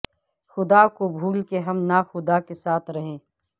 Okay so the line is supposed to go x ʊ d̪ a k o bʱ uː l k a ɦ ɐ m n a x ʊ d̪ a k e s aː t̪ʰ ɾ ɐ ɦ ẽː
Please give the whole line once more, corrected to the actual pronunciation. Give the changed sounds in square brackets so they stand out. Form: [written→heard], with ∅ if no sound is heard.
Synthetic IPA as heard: x ʊ d̪ a k o bʱ uː l k [a→e] ɦ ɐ m n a x ʊ d̪ a k e s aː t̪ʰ ɾ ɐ ɦ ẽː